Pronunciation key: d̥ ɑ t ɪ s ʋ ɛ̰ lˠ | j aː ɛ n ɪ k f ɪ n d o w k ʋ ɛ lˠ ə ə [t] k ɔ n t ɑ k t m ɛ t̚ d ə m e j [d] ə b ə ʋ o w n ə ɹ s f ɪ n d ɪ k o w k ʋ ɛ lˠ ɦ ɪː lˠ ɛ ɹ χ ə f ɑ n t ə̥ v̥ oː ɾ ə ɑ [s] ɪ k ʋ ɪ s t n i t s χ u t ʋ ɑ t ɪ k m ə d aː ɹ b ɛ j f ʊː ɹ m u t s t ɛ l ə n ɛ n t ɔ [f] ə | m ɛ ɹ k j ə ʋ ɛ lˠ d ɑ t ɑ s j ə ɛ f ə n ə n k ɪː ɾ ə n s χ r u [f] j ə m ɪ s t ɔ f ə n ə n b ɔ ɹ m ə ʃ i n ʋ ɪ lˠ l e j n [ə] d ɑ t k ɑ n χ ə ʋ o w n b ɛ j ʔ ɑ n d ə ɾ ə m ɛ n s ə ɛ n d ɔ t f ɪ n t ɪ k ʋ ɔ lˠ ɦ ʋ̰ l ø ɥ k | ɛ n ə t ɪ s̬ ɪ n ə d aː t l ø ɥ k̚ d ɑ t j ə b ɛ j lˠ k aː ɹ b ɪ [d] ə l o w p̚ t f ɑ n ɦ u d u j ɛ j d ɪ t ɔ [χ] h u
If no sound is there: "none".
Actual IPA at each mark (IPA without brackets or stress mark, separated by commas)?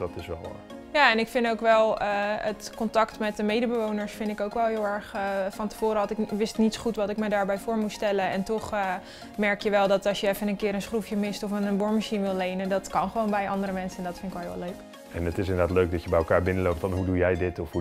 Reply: t, d, t, χ, f, ə, n, f